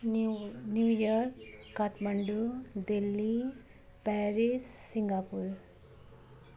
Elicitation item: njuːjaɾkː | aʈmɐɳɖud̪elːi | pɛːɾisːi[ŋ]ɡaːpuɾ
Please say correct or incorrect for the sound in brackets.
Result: correct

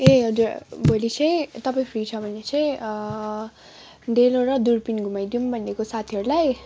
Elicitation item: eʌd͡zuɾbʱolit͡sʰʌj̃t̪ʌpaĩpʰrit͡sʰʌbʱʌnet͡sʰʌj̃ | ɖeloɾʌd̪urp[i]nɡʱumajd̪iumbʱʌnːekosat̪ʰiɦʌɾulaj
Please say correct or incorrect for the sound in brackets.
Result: correct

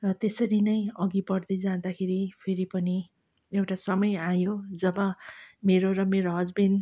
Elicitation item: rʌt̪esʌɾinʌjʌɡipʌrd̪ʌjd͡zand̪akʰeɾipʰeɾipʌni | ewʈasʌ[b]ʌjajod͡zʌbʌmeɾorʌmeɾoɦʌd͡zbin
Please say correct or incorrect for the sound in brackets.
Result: incorrect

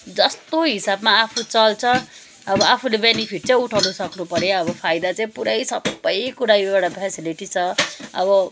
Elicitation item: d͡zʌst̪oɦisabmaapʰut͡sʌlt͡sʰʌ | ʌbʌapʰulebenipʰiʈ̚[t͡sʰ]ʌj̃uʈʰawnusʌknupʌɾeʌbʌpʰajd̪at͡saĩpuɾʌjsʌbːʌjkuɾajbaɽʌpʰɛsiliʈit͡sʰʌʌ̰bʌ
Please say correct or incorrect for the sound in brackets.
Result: incorrect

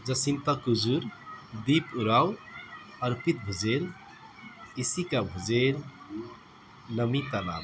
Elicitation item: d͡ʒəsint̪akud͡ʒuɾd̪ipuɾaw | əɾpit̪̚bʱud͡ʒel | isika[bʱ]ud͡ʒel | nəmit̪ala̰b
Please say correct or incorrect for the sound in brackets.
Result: correct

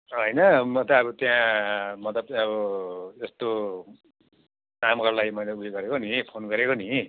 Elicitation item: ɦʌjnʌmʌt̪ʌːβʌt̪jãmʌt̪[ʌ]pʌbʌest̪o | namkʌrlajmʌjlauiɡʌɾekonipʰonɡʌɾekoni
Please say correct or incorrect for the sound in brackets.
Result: correct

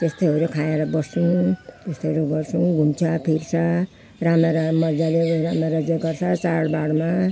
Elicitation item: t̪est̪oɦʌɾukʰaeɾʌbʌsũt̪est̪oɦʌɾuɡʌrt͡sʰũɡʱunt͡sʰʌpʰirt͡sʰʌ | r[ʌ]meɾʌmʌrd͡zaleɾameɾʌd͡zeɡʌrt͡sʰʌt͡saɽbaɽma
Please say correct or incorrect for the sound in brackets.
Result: incorrect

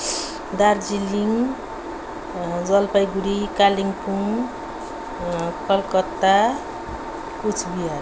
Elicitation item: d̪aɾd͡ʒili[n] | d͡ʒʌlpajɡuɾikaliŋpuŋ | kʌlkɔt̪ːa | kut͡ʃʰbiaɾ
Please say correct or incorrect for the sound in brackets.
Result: incorrect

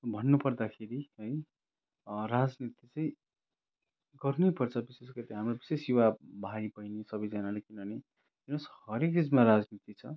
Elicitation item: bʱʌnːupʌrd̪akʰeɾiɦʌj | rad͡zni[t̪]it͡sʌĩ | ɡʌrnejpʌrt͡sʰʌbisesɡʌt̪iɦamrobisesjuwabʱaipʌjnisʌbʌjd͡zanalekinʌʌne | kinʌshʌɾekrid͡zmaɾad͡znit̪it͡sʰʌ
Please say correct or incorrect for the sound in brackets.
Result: correct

